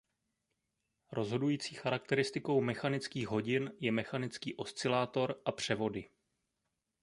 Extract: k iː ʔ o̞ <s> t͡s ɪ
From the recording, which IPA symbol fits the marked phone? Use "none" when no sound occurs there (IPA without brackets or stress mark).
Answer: s